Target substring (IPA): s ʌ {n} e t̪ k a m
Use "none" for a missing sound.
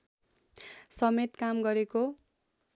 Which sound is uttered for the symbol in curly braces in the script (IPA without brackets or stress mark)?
m